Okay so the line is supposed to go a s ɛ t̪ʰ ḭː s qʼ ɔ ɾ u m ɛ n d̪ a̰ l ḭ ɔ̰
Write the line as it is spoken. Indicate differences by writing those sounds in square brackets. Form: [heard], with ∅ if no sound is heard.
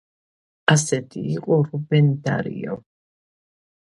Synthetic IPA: a s ɛ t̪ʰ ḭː [∅] qʼ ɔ ɾ u [b] ɛ n d̪ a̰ [ɾ] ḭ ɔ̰